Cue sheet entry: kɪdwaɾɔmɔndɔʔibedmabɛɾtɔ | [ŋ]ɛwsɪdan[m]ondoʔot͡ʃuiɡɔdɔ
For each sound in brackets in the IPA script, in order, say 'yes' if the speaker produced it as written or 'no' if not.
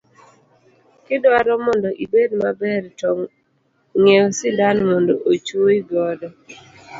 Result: yes, yes

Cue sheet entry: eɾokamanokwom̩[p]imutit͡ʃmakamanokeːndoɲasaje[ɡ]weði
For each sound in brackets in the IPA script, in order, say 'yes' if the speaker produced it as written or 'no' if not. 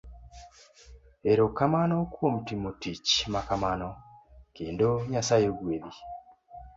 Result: no, yes

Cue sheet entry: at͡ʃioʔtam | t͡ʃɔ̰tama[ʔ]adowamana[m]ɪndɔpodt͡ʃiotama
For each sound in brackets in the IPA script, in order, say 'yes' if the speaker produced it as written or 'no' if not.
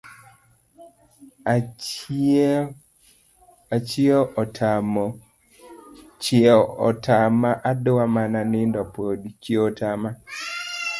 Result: yes, no

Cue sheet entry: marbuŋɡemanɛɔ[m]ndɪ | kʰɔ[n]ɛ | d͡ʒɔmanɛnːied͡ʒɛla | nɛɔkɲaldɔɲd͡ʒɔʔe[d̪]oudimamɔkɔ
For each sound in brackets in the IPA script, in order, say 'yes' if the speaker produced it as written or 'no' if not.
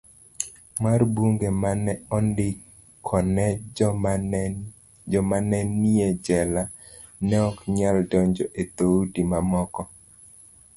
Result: no, yes, no

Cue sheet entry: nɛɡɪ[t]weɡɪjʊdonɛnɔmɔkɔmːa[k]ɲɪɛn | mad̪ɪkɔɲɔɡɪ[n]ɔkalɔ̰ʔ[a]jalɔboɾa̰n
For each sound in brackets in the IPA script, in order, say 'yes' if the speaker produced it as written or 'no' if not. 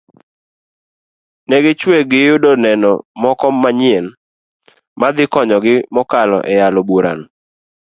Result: no, no, no, no

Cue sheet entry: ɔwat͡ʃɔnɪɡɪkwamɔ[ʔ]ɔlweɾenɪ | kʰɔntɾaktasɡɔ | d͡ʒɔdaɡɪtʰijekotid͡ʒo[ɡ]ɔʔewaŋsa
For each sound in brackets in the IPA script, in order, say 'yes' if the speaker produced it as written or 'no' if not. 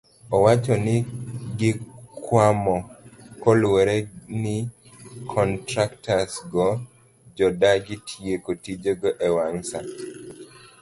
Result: no, yes

